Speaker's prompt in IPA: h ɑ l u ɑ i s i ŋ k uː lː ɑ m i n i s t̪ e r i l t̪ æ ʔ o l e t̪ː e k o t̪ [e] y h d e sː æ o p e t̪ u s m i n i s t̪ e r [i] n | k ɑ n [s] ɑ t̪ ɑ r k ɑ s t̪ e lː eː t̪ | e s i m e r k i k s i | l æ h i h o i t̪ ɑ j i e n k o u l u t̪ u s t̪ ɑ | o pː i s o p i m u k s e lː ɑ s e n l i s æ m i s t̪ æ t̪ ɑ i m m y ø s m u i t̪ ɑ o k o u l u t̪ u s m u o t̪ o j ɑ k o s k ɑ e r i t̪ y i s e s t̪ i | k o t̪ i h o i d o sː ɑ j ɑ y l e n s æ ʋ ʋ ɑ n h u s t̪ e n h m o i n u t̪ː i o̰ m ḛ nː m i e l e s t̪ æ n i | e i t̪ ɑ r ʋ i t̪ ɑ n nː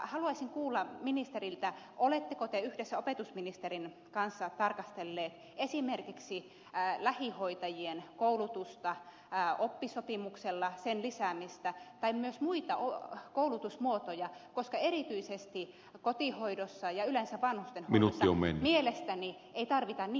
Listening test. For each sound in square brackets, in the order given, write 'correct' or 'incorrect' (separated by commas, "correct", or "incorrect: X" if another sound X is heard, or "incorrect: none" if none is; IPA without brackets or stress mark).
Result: correct, correct, incorrect: sː